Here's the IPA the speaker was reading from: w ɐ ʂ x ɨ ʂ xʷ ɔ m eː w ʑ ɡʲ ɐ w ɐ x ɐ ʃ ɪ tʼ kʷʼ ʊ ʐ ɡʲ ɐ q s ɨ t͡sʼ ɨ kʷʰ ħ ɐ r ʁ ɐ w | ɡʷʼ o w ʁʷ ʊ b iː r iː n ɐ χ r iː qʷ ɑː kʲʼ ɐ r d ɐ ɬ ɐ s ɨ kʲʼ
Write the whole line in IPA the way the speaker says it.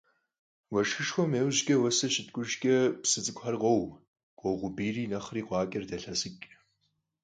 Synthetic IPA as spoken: w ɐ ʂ x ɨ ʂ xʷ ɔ m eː w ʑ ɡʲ ɐ w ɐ s ɐ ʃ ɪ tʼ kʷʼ ʊ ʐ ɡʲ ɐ p s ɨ t͡sʼ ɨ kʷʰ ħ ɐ r ʁ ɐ w | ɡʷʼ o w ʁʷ ʊ b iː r iː n ɐ χ r iː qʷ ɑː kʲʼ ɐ r d ɐ ɬ ɐ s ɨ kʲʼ